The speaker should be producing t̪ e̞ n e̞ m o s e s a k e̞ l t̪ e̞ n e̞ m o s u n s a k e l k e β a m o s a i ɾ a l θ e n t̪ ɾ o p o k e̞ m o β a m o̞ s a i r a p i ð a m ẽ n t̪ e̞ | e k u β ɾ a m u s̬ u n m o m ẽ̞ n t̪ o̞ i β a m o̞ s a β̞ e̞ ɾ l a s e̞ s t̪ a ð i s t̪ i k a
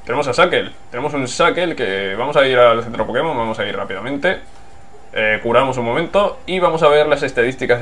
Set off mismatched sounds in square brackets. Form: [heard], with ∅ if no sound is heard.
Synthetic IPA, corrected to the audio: t̪ e̞ n e̞ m o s [a] s a k e̞ l t̪ e̞ n e̞ m o s u n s a k e l k e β a m o s a i ɾ a l θ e n t̪ ɾ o p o k e̞ m o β a m o̞ s a i r a p i ð a m ẽ n t̪ e̞ | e k u [∅] ɾ a m [o] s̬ u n m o m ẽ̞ n t̪ o̞ i β a m o̞ s a β̞ e̞ ɾ l a s e̞ s t̪ a ð i s t̪ i k a